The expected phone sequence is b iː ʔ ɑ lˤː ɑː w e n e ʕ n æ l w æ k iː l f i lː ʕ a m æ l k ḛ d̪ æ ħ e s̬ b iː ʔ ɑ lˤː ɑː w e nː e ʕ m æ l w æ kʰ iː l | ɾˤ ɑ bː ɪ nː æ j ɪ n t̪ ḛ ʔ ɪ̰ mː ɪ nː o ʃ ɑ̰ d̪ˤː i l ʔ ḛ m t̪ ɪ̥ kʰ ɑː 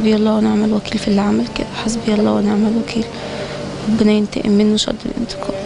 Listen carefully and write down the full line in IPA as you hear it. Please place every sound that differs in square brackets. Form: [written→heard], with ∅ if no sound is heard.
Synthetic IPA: b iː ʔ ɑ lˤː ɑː w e n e ʕ [n→m] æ l w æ k iː l f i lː ʕ a m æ l k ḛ d̪ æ ħ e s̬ b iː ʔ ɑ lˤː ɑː w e [nː→n] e ʕ m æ l w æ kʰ iː l | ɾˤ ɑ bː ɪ [nː→n] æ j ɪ n t̪ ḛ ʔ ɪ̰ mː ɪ nː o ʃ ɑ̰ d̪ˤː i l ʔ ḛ [m→n] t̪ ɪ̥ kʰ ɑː